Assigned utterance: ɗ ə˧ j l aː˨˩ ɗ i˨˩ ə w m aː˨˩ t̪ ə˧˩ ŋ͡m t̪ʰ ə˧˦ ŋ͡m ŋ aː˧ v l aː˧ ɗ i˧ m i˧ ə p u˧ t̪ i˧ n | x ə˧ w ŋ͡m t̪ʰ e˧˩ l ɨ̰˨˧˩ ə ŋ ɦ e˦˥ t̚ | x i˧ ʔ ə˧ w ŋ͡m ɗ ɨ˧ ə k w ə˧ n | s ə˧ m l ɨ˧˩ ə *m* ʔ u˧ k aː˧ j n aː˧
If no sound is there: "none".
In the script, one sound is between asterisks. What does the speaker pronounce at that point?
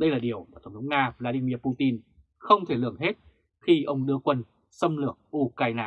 ŋ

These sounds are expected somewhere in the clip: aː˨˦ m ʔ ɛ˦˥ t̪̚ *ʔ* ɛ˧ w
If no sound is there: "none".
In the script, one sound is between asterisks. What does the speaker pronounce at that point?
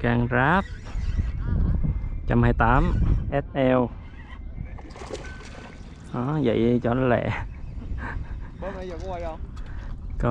ʔ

